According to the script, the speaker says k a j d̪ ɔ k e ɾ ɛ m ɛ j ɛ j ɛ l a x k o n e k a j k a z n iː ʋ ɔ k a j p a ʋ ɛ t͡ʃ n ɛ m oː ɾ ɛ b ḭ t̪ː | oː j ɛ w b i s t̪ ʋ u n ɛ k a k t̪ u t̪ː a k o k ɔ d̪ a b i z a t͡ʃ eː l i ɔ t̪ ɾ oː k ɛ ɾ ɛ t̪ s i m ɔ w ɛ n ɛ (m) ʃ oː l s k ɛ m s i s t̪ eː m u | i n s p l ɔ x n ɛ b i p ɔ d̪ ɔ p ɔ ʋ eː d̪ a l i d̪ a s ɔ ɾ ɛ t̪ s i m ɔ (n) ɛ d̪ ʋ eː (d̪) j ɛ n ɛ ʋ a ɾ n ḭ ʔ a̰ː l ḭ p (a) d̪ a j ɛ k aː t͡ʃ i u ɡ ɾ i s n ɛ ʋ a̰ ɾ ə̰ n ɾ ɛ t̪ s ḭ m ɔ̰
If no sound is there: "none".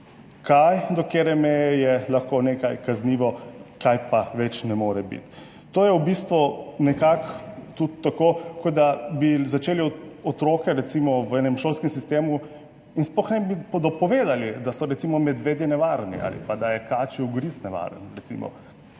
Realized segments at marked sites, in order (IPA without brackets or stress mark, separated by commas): m, m, d̪, a